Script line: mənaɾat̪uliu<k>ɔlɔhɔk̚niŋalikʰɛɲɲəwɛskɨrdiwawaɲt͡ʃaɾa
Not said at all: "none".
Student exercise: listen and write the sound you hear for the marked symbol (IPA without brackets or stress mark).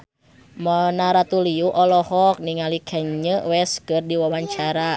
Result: ʔ